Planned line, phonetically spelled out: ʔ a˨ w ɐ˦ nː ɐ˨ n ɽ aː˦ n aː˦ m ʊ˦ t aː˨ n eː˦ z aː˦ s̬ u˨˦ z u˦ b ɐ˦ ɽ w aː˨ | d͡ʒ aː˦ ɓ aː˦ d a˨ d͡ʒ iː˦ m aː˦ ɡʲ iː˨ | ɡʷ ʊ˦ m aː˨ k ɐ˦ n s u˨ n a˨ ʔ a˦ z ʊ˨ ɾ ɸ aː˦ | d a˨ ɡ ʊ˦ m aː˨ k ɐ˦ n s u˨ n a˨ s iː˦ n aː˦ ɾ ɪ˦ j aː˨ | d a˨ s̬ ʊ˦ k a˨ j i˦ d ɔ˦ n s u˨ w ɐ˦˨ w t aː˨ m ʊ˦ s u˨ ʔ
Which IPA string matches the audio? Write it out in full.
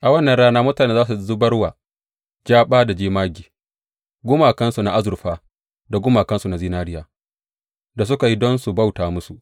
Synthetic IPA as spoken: ʔ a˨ w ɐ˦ nː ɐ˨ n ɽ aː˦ n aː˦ m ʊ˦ t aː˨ n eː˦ z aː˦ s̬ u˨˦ z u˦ b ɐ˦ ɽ w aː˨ | d͡ʒ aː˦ ɓ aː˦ d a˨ d͡ʒ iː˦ m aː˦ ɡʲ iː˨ | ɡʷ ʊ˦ m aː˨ k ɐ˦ n s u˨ n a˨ ʔ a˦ z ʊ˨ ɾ ɸ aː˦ | d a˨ ɡ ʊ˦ m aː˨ k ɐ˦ n s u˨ n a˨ z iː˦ n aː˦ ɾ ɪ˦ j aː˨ | d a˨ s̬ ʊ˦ k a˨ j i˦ d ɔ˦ n s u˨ b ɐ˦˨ w t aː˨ m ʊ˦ s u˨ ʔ